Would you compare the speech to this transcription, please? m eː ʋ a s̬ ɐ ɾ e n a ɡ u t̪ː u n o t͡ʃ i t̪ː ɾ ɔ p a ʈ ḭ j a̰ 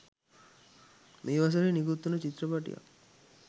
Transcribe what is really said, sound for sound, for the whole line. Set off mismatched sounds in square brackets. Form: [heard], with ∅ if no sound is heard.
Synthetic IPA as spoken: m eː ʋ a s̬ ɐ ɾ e n [i] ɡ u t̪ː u n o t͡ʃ i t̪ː ɾ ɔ p a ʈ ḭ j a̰